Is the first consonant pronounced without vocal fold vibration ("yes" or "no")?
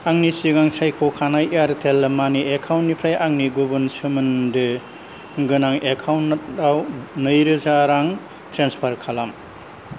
no